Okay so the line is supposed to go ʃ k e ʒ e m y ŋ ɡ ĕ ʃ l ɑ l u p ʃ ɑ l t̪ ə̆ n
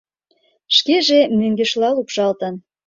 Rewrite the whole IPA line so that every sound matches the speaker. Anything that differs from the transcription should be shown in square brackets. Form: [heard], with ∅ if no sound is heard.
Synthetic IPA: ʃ k e ʒ e m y ŋ ɡ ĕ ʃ l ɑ l u p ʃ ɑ l t̪ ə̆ n